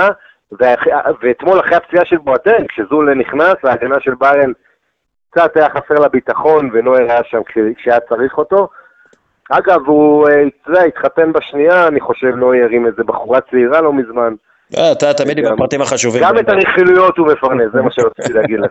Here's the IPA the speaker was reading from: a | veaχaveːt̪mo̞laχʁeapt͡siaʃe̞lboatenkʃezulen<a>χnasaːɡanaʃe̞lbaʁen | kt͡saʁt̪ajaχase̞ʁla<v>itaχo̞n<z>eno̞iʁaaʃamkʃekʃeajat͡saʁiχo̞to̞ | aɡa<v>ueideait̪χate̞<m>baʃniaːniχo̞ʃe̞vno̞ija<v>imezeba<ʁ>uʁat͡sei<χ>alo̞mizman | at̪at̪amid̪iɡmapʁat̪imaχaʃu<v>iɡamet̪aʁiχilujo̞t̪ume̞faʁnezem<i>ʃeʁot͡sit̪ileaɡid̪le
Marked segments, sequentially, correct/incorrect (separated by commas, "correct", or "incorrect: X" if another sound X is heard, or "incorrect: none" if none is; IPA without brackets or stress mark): incorrect: i, incorrect: b, incorrect: v, correct, incorrect: n, incorrect: ʁ, incorrect: χ, incorrect: ʁ, correct, incorrect: a